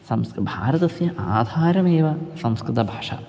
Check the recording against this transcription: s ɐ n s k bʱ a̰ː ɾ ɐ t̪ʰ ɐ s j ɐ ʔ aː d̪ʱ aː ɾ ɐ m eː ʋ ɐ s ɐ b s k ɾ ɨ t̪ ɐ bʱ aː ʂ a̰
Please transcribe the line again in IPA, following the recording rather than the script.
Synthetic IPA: s ɐ m s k bʱ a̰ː ɾ ɐ t̪ ɐ s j ɐ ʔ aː d̪ʱ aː ɾ ɐ m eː ʋ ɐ s ɐ m s k ɾ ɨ t̪ ɐ bʱ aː ʂ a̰